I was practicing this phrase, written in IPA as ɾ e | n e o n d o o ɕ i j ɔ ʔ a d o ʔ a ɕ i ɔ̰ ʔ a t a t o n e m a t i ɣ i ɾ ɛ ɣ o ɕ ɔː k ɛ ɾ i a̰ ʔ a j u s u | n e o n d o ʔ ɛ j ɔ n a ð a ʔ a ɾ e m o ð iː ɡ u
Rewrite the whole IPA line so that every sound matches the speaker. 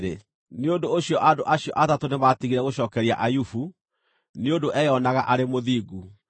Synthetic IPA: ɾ e | n e o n d o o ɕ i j ɔ ʔ a d o ʔ a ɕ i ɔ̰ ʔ a t a t o n e m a t i ɣ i ɾ ɛ ɣ o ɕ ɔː k ɛ ɾ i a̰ ʔ a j u f u | n e o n d o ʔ ɛ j ɔ n a ɣ a ʔ a ɾ e m o ð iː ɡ u